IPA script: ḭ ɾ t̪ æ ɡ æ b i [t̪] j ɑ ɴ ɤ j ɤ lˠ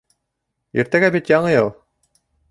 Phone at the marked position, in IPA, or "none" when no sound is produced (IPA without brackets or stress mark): t̪